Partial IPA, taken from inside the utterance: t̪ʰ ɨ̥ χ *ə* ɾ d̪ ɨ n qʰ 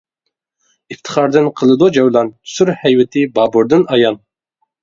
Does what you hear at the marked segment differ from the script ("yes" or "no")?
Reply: yes